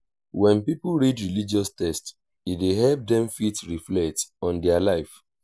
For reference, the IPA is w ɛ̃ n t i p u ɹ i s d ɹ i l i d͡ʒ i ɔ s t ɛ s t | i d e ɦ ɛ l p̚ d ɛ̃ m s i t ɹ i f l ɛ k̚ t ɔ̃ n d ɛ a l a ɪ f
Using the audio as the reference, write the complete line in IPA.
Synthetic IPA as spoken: w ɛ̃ n p i p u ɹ i d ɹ i l i d͡ʒ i ɔ s t ɛ s t | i d e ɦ ɛ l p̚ d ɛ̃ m f i t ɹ i f l ɛ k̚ t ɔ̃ n d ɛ a l a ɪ f